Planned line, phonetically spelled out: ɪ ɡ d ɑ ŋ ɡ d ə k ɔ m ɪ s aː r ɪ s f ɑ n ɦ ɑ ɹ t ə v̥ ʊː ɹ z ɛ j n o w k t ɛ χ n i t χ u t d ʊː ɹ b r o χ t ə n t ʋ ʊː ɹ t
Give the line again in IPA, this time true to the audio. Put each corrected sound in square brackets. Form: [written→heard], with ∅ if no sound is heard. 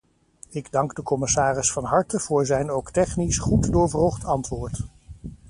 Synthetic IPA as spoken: ɪ ɡ d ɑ ŋ ɡ d ə k ɔ m ɪ s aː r ɪ s f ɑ n ɦ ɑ ɹ t ə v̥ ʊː ɹ z ɛ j n o w k t ɛ χ n i [t→s] χ u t d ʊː ɹ [b→v] r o χ t [ə→ɑ] n t ʋ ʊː ɹ t